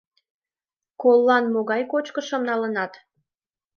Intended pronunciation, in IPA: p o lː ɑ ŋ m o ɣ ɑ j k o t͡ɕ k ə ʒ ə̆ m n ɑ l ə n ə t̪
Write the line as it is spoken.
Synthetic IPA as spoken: k o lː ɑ n m o ɣ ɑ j k o t͡ɕ k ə ʃ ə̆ m n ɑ l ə n ɑ t̪